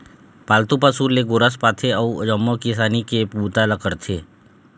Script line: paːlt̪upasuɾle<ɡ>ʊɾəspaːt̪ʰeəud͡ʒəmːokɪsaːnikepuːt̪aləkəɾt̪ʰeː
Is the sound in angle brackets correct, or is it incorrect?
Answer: correct